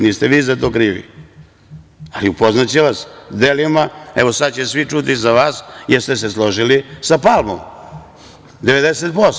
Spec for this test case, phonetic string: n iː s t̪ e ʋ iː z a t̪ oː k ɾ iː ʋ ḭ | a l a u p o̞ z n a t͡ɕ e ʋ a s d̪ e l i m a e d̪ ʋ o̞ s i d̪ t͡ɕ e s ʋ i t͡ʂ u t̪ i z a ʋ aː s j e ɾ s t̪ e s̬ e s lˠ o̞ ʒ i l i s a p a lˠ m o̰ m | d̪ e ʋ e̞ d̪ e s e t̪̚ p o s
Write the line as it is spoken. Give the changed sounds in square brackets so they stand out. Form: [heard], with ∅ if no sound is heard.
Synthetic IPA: n iː s t̪ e ʋ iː z a t̪ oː k ɾ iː ʋ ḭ | a l [i] u p o̞ z n a t͡ɕ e ʋ a s d̪ e l i m a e [∅] ʋ o̞ s [a] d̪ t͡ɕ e s ʋ i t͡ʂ u t̪ i z a ʋ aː s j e ɾ s t̪ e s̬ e s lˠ o̞ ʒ i l i s a p a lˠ m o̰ m | d̪ e ʋ e̞ d̪ e s e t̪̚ p o s